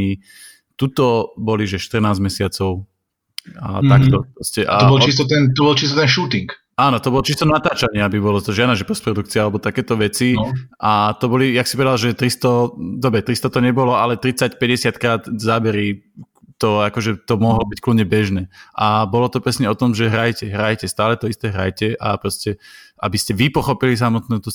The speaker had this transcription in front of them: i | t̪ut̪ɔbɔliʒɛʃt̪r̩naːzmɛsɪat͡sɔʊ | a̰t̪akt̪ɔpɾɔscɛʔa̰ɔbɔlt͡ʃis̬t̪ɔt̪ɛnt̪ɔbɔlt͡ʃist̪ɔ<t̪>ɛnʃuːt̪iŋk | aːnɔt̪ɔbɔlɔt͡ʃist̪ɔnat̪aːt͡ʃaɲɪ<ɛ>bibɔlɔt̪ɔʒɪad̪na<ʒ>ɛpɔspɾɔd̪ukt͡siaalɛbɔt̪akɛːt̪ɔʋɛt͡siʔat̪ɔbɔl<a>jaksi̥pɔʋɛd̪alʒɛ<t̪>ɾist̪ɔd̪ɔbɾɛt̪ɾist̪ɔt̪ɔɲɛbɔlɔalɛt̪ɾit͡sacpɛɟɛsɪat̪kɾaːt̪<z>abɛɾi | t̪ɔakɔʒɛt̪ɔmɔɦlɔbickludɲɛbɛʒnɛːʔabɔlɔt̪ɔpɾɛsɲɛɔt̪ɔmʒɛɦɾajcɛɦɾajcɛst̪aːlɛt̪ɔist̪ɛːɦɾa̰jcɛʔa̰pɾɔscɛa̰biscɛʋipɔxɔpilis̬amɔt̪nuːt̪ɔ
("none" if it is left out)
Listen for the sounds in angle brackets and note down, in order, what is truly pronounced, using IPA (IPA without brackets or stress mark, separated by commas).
t̪, a, ʒ, i, t̪, z